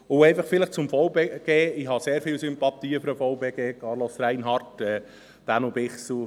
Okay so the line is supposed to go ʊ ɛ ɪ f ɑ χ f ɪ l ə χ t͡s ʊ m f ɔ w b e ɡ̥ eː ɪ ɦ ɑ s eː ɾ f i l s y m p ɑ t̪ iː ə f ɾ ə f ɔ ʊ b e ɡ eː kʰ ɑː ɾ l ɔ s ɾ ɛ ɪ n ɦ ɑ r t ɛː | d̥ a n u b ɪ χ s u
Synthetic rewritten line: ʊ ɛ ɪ f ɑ χ f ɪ l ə χ t͡s ʊ m f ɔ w b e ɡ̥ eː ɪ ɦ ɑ s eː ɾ f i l s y m p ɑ t̪ iː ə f ɾ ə f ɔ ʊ b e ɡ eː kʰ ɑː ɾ l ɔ s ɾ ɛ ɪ n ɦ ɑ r t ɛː | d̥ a n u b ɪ χ s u